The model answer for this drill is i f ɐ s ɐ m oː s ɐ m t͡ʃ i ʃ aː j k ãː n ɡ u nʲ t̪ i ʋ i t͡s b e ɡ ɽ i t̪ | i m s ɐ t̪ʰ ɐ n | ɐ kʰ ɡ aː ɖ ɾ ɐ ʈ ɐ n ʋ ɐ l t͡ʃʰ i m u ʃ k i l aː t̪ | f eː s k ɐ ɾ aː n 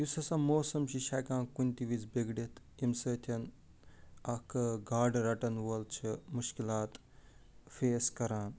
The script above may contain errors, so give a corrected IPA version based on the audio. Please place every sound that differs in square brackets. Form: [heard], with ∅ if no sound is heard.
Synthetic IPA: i [s] ɐ s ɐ m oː s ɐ m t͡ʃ i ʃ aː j k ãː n [k] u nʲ t̪ i ʋ i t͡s b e ɡ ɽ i t̪ | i m s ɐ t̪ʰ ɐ n | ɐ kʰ ɡ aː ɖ ɾ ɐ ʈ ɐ n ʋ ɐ l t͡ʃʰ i m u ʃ k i l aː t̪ | f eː s k ɐ ɾ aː n